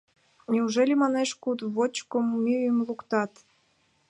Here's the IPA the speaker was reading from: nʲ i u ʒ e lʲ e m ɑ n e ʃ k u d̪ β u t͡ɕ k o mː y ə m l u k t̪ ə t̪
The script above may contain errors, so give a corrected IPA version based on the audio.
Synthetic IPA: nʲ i u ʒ e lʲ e m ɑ n e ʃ k u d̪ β o t͡ɕ k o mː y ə m l u k t̪ ɑ t̪